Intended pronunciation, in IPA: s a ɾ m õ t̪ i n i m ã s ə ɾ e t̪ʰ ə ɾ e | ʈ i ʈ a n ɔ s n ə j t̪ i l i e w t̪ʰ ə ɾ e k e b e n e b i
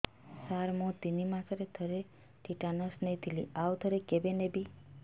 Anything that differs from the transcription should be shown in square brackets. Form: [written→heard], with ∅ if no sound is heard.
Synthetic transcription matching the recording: s a ɾ m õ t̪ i n i m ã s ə ɾ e t̪ʰ ə ɾ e | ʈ i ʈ a n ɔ s n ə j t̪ i l i [e→a] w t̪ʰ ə ɾ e k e b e n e b i